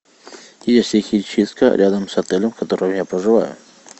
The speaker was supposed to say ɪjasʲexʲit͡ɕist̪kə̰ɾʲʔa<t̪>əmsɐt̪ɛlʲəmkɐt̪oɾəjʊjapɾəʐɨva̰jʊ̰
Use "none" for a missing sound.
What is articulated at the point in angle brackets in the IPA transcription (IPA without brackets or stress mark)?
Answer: d̪